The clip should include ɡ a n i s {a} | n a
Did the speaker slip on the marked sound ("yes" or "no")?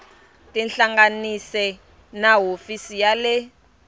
yes